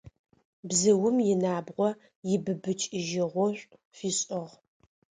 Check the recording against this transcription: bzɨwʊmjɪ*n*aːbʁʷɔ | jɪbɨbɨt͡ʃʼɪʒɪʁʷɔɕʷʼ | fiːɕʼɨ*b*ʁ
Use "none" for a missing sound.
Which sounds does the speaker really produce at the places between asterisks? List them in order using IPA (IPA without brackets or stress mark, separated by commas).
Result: n, none